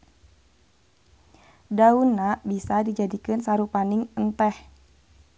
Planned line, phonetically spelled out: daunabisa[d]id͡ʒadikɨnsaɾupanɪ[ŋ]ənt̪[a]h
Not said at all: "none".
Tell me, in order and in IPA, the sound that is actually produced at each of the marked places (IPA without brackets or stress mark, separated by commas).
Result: d, ŋ, ɛ